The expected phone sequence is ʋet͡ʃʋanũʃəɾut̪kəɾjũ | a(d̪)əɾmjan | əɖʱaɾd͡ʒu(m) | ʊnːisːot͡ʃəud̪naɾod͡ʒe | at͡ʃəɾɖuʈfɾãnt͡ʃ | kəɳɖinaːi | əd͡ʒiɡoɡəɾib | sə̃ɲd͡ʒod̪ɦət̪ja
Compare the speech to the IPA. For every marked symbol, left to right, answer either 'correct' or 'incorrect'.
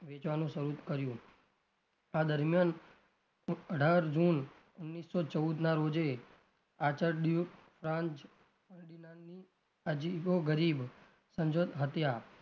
correct, incorrect: n

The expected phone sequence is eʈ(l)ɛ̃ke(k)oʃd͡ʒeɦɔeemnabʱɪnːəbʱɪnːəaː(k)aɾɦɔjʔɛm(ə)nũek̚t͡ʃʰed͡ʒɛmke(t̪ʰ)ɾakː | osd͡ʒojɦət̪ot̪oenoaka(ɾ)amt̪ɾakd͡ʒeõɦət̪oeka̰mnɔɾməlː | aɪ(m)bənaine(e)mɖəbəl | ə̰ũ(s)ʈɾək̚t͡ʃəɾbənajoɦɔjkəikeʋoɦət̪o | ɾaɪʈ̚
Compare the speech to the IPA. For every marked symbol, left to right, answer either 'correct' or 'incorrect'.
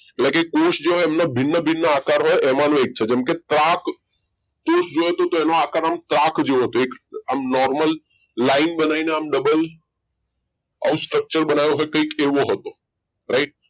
correct, correct, correct, incorrect: a, incorrect: t̪, correct, incorrect: n, incorrect: a, correct

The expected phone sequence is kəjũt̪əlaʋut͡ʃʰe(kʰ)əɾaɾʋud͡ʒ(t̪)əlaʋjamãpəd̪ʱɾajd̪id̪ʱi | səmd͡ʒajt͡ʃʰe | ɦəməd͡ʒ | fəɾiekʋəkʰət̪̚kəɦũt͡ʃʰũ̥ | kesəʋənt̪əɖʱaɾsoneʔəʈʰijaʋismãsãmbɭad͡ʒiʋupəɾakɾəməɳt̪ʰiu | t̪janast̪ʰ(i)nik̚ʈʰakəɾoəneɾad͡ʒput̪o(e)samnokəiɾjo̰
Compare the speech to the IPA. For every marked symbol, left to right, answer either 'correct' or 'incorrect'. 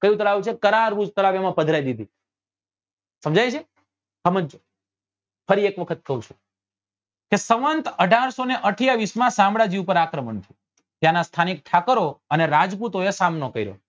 incorrect: k, correct, incorrect: a, correct

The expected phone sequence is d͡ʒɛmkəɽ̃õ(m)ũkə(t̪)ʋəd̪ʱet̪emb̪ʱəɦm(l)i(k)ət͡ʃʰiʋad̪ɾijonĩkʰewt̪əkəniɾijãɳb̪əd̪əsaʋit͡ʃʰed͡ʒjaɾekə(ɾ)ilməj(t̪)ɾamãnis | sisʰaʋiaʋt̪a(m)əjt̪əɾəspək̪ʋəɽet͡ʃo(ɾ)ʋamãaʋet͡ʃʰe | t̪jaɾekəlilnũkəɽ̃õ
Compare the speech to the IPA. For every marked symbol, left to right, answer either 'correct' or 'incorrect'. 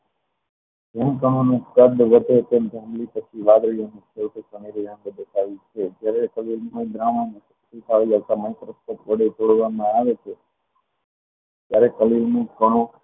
incorrect: n, incorrect: d̪, correct, incorrect: p, incorrect: l, incorrect: d̪, correct, incorrect: ɽ

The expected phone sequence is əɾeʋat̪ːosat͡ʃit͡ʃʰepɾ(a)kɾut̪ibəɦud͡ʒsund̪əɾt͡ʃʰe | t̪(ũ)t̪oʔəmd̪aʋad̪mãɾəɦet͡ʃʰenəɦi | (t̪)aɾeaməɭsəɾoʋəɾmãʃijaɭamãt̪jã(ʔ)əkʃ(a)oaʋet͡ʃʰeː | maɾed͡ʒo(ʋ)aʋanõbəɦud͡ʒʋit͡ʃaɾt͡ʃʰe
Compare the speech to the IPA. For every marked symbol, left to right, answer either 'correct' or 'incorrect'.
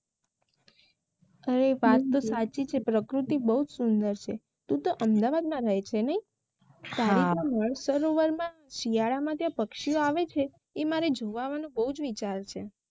incorrect: ə, correct, correct, incorrect: p, incorrect: i, correct

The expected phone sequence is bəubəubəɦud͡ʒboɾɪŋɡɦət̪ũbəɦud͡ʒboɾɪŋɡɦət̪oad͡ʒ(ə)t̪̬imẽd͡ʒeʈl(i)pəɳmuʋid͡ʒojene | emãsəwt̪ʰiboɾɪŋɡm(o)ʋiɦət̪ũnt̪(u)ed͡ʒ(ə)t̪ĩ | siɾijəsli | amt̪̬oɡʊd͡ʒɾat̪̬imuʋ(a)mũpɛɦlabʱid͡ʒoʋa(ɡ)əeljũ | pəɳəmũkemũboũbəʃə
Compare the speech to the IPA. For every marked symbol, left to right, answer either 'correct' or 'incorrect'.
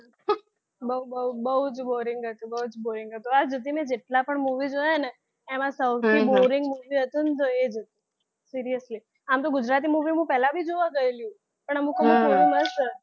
correct, incorrect: a, incorrect: u, incorrect: o, correct, incorrect: i, correct

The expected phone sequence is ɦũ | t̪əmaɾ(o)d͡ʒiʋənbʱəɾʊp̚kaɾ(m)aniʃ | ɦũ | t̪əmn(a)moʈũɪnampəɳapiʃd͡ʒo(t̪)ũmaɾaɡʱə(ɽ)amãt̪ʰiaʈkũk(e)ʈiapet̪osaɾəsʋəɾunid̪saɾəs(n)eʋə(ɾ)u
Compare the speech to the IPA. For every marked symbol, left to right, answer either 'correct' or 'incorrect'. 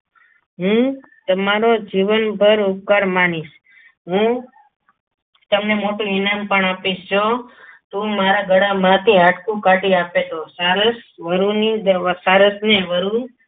correct, correct, incorrect: e, correct, correct, incorrect: a, correct, correct

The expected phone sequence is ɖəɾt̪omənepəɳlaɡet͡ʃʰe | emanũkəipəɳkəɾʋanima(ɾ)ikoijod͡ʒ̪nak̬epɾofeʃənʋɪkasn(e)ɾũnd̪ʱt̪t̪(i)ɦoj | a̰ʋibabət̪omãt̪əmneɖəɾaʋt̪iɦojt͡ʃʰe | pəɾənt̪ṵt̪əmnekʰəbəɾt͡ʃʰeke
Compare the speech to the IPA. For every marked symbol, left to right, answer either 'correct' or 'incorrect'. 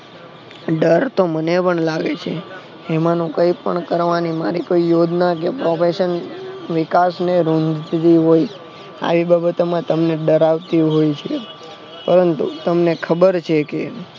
correct, correct, correct

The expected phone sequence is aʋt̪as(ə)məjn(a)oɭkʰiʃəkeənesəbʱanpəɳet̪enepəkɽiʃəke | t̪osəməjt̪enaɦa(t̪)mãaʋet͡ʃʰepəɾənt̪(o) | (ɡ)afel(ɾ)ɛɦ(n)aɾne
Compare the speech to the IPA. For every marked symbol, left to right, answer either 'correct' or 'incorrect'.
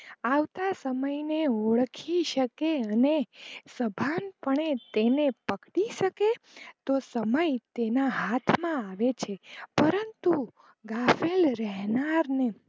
correct, incorrect: e, incorrect: t̪ʰ, incorrect: u, correct, correct, correct

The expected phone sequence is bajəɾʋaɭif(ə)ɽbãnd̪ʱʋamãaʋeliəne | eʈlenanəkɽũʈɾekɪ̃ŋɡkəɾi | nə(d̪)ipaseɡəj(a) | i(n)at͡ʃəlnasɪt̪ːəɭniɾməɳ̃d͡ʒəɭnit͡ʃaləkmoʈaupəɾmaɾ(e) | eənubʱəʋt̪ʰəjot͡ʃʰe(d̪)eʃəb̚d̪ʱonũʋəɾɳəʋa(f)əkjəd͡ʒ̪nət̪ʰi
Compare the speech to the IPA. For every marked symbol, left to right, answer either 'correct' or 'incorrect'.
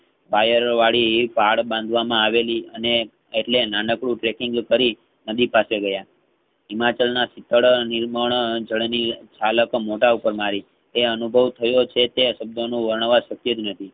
incorrect: a, correct, correct, incorrect: m, incorrect: i, incorrect: t̪, incorrect: ʃ

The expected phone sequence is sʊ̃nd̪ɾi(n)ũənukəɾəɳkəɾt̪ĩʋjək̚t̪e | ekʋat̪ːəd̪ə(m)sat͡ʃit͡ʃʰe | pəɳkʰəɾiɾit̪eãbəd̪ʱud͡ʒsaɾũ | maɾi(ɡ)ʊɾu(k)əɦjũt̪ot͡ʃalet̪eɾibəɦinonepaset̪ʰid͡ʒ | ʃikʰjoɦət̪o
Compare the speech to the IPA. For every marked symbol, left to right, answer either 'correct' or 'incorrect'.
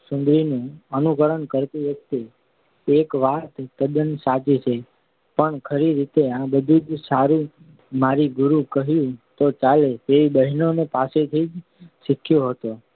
correct, incorrect: n, correct, correct

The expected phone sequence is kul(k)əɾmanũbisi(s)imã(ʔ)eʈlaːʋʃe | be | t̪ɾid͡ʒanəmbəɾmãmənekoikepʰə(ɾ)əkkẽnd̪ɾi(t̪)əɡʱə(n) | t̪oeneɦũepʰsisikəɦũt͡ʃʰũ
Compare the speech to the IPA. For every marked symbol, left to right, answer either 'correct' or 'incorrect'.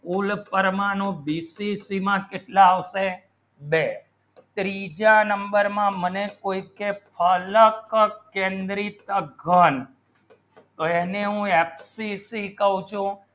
incorrect: p, correct, incorrect: k, incorrect: l, correct, correct

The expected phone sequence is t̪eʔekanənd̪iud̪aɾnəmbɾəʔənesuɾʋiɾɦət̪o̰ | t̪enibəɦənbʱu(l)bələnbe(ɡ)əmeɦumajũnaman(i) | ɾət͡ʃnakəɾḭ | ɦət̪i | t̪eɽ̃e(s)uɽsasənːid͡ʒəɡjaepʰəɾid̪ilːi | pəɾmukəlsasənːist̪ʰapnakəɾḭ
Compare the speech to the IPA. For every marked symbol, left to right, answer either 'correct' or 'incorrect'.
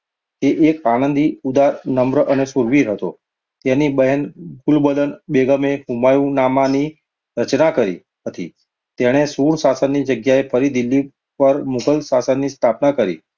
correct, correct, correct, correct

